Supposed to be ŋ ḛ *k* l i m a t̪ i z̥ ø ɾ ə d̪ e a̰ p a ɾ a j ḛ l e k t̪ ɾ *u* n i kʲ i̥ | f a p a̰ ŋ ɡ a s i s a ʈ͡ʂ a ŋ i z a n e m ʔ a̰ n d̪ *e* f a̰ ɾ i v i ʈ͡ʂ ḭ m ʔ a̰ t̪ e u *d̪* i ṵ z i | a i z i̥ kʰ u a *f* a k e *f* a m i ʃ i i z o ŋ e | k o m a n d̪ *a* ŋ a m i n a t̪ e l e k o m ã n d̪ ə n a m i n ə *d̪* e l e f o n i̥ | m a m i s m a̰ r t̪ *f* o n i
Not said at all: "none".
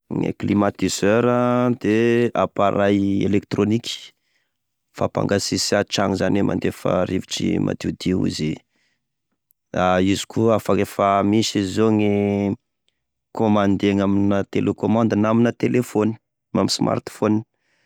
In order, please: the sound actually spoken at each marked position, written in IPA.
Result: k, o, e, d̪, f, f, e, t̪, f

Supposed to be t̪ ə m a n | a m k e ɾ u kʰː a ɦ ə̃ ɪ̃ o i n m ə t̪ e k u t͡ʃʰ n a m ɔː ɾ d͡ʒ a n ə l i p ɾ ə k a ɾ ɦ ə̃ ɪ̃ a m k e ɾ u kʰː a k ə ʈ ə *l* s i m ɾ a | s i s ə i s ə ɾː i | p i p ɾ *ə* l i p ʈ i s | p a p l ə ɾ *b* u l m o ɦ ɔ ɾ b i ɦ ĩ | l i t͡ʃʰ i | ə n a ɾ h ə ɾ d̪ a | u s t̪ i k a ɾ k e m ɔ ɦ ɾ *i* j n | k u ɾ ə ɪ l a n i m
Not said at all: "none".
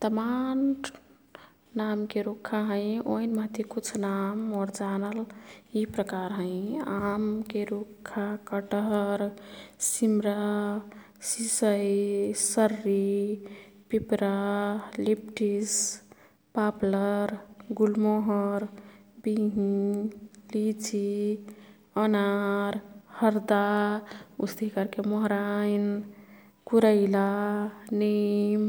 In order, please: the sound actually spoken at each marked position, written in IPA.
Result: ɾ, a, ɡ, a

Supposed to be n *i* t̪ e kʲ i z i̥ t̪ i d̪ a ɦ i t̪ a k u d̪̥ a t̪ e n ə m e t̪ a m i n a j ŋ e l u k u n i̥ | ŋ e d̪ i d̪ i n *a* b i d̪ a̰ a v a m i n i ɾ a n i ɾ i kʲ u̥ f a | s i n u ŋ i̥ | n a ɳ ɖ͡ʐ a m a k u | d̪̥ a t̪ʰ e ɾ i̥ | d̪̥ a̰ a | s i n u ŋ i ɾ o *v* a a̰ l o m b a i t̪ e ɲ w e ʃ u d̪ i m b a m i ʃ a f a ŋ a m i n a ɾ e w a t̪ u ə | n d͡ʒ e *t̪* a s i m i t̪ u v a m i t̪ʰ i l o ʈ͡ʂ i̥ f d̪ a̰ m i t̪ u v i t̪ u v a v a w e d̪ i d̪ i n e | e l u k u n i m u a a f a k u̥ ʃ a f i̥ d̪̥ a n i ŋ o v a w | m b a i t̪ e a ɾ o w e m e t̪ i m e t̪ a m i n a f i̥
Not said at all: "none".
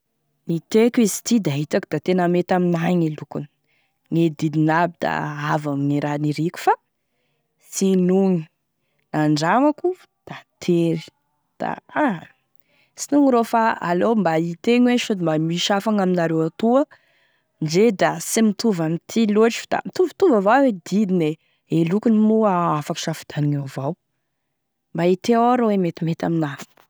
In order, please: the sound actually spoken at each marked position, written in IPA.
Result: i, a, f, d̪

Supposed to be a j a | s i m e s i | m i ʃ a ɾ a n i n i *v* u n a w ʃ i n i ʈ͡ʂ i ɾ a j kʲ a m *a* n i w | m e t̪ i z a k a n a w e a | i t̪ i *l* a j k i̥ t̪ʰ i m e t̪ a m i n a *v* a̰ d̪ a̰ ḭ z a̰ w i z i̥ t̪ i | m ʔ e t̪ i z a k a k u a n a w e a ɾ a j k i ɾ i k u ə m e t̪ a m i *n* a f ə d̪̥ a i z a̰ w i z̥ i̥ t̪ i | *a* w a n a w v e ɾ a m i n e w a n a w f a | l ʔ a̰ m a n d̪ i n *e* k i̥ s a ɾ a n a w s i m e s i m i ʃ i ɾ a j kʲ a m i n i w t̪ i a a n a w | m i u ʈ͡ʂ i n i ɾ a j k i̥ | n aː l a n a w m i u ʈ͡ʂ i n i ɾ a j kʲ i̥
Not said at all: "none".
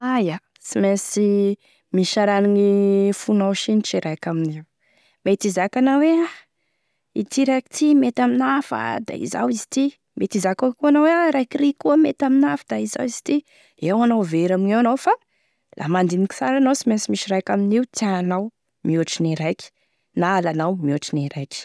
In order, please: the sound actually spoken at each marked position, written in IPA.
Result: f, i, ɾ, f, n, e, i

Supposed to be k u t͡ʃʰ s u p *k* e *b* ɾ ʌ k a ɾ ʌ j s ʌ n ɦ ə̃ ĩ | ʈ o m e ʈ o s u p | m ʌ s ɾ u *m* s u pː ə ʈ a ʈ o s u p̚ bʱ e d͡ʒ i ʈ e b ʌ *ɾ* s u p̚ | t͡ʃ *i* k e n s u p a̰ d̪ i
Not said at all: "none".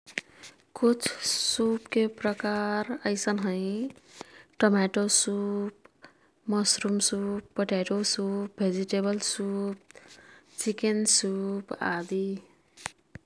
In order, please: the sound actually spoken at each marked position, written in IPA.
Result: k, p, m, l, i

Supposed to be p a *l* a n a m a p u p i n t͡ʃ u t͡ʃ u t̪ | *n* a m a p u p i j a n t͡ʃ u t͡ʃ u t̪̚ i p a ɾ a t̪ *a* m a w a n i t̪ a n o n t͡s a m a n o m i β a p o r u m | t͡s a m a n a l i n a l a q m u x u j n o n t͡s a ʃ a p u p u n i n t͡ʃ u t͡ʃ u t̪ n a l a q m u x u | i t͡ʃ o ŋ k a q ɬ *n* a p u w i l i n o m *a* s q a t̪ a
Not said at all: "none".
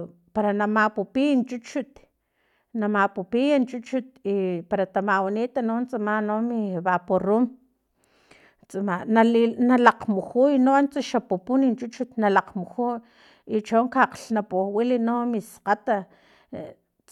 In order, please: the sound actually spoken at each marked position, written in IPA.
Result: ɾ, n, a, n, i

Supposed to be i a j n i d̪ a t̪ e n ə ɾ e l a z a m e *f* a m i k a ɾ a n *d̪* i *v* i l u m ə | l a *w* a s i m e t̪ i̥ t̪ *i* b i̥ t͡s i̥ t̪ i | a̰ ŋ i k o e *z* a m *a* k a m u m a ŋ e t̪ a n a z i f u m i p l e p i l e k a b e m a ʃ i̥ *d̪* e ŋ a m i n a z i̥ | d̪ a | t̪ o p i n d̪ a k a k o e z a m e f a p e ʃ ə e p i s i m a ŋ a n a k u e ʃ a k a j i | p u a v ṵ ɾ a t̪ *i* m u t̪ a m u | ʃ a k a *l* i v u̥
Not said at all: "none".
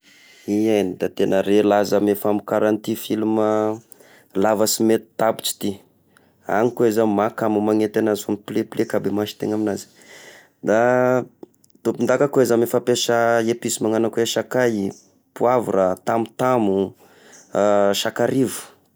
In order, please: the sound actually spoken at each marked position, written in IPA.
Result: f, t̪, f, v, a, z, a, t̪, a, ɾ

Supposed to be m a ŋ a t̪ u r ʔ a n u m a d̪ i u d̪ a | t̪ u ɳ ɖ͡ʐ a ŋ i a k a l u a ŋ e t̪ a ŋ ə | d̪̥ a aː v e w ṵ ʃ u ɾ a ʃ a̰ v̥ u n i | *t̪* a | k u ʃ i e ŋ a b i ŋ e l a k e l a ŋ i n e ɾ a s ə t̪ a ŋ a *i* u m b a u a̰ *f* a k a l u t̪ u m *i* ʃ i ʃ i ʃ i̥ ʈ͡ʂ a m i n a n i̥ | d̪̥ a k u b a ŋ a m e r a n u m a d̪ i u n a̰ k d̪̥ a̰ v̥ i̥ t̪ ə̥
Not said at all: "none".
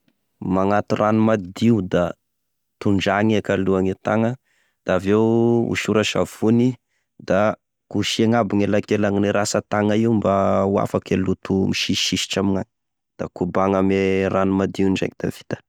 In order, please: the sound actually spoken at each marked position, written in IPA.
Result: d̪, i, f, i

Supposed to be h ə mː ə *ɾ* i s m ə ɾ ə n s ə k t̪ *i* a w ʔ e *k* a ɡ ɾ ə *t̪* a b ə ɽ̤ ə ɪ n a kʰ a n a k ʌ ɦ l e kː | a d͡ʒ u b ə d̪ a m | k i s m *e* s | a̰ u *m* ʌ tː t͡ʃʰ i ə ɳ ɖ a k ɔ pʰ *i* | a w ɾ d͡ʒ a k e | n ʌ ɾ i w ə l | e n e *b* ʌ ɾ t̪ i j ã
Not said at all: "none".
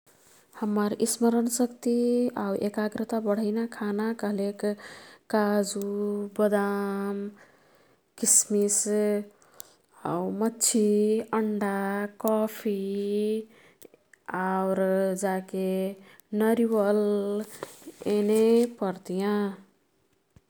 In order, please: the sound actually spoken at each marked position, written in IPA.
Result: ɾ, i, k, t̪, i, m, i, p

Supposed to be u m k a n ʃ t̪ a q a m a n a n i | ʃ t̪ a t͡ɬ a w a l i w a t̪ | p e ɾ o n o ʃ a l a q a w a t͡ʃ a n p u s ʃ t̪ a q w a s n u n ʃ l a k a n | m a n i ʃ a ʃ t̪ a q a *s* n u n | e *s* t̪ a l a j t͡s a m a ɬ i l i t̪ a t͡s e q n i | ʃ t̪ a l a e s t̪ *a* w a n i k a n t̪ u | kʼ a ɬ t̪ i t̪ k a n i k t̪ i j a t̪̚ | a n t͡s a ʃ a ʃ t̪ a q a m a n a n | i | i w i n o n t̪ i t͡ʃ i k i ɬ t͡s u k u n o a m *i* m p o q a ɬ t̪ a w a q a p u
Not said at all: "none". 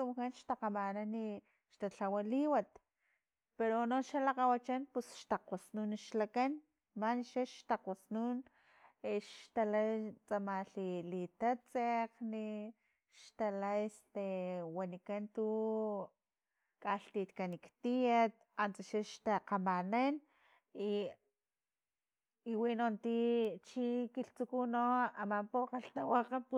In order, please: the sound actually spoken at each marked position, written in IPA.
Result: s, ʃ, e, a

